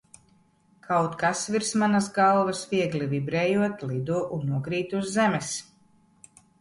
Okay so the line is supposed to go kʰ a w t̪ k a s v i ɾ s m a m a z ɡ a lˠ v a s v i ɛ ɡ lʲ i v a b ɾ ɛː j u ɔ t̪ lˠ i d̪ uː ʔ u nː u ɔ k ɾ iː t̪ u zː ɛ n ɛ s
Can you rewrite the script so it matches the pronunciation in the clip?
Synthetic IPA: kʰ a w t̪ k a s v i ɾ s m a n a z ɡ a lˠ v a s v i ɛ ɡ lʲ i v i b ɾ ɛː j u ɔ t̪ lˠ i d̪ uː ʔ u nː u ɔ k ɾ iː t̪ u zː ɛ m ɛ s